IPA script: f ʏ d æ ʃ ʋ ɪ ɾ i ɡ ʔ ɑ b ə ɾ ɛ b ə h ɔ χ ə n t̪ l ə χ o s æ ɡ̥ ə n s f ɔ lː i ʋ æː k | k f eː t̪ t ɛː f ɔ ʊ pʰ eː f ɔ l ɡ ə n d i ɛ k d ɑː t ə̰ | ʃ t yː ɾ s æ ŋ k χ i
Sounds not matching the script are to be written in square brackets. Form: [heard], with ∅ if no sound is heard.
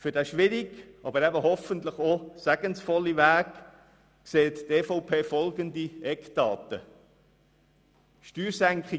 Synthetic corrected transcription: f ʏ d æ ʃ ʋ ɪ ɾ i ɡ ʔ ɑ b ə ɾ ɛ b ə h ɔ [f] ə n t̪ l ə χ o s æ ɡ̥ ə n s f ɔ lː i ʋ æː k | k [s] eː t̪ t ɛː f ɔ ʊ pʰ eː f ɔ l ɡ ə n d i ɛ k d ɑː t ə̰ | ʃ t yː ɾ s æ ŋ k χ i